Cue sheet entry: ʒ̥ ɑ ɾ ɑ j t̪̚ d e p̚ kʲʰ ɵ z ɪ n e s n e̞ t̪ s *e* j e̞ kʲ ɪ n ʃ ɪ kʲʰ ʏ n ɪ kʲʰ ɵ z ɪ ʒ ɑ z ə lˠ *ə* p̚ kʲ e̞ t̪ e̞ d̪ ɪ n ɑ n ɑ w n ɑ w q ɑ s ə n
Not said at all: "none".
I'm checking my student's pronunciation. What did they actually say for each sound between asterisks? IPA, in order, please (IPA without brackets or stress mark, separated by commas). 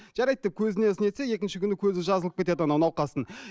e, ə